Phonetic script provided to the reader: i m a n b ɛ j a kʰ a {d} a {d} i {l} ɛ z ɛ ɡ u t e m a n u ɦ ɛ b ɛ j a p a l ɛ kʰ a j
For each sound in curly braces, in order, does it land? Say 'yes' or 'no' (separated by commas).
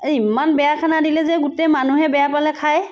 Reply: no, yes, yes